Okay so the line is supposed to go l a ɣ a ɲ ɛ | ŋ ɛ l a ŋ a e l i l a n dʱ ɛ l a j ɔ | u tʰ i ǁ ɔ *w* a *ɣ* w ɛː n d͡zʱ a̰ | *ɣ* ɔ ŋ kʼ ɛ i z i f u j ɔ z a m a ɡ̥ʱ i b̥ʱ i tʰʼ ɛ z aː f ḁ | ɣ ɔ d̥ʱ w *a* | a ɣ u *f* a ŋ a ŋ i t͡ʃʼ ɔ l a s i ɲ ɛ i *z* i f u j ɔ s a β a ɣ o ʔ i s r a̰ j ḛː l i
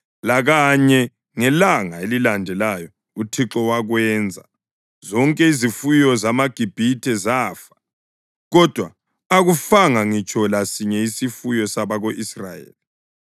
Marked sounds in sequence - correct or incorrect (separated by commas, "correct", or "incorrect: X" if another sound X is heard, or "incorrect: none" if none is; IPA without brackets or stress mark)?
correct, correct, incorrect: z, correct, correct, incorrect: s